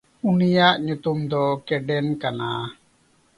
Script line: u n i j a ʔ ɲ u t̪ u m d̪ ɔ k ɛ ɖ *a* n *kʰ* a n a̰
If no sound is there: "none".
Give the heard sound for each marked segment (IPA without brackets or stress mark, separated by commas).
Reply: ɛ, k